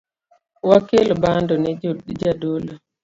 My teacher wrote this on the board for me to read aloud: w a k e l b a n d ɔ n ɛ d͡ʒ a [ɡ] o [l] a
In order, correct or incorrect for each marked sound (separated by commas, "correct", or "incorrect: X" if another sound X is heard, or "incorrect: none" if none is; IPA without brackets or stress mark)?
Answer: incorrect: d, correct